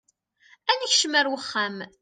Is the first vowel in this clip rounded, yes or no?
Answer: no